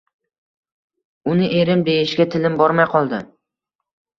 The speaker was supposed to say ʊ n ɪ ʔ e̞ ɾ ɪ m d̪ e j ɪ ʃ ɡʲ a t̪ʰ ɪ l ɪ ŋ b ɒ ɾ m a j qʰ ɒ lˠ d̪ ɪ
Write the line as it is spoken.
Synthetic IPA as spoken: ʊ n ɪ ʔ e̞ ɾ ɪ m d̪ e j ɪ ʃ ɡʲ a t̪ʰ ɪ l ɪ m b ɒ ɾ m a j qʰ ɒ lˠ d̪ ɪ